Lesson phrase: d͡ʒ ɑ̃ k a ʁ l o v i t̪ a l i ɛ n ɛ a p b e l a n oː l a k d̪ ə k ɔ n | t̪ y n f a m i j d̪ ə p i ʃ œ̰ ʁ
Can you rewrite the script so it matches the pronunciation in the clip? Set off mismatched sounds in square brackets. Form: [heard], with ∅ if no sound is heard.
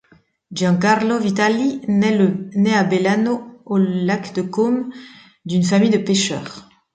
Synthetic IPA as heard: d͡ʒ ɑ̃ k a ʁ l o v i t̪ a l i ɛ n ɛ a [∅] b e l a n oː l a k d̪ ə k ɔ [m] | [d̪] y n f a m i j d̪ ə p [e] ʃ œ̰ ʁ

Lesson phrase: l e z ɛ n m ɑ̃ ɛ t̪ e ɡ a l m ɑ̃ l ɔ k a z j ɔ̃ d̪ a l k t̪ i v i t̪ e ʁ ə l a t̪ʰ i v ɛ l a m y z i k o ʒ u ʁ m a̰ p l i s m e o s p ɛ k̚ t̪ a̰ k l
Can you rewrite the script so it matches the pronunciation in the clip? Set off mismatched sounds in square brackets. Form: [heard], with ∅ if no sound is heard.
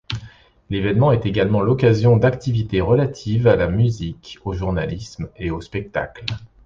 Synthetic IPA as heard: l e [v] ɛ n m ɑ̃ ɛ t̪ e ɡ a l m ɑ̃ l ɔ k a z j ɔ̃ d̪ a [∅] k t̪ i v i t̪ e ʁ ə l a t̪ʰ i v [a] l a m y z i k o ʒ u ʁ [n] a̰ [∅] l i s m e o s p ɛ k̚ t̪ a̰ k l

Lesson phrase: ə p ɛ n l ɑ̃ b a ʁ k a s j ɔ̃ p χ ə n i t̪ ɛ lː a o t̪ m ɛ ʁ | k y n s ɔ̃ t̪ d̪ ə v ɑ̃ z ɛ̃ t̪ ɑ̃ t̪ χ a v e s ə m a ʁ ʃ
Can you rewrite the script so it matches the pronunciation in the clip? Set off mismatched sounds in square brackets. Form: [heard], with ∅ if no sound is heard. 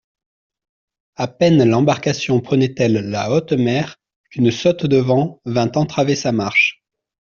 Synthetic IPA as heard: [a] p ɛ n l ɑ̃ b a ʁ k a s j ɔ̃ p χ ə n [ɛ] t̪ ɛ lː a o t̪ m ɛ ʁ | k y n s [ɔ] t̪ d̪ ə v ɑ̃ [v] ɛ̃ t̪ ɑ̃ t̪ χ a v e s [a] m a ʁ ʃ

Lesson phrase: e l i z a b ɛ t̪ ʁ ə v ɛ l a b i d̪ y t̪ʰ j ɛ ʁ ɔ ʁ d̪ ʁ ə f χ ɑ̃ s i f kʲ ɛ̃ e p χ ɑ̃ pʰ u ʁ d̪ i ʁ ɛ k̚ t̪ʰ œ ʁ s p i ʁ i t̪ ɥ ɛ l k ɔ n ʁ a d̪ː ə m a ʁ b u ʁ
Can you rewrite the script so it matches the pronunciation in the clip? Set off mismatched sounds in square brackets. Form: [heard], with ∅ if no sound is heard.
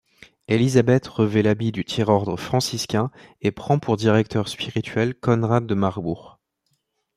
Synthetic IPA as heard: e l i z a b ɛ t̪ ʁ ə v ɛ l a b i d̪ y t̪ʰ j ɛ ʁ ɔ ʁ d̪ ʁ ə f χ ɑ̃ s i [s] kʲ ɛ̃ e p χ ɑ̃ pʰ u ʁ d̪ i ʁ ɛ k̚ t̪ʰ œ ʁ s p i ʁ i t̪ ɥ ɛ l k ɔ n ʁ a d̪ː ə m a ʁ b u ʁ

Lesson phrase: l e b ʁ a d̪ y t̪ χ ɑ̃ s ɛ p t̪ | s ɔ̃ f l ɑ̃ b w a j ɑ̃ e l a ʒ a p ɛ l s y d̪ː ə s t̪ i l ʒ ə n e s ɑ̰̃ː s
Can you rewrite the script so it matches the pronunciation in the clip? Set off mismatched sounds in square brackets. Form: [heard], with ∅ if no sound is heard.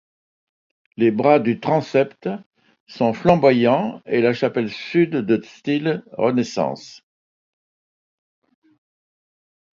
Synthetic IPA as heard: l e b ʁ a d̪ y t̪ χ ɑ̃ s ɛ p t̪ | s ɔ̃ f l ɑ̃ b w a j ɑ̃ e l a [ʃ] a p ɛ l s y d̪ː ə s t̪ i l [ʁ] ə n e s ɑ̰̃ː s

